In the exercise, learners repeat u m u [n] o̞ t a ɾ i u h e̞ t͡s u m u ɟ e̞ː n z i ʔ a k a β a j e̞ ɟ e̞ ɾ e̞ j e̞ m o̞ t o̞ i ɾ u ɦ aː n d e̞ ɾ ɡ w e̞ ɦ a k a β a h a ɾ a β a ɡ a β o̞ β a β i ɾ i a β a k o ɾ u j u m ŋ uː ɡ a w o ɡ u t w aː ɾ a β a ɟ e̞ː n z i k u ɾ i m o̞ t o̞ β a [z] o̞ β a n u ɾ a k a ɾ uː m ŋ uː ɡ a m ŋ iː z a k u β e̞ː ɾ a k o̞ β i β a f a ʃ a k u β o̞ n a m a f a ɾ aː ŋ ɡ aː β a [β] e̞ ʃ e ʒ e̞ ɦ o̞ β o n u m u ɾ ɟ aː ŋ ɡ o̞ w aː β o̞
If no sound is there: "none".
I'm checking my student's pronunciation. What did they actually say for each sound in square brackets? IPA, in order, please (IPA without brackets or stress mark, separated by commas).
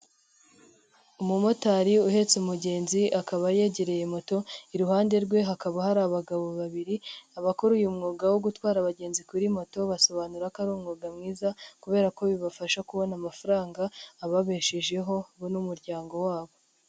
m, s, β